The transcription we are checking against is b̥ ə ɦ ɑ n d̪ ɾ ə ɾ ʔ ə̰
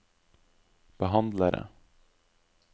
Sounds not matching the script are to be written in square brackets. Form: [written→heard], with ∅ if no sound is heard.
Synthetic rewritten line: b̥ ə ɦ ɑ n d̪ [ɾ→l] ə ɾ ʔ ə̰